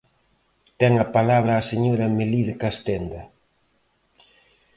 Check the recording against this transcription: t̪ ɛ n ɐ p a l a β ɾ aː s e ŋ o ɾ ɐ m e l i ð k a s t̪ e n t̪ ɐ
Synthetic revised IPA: t̪ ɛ ŋ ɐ p a l a β ɾ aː s e ɲ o ɾ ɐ m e l i ð k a s t̪ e n d̪ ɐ